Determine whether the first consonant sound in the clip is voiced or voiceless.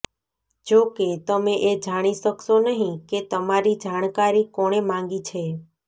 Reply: voiced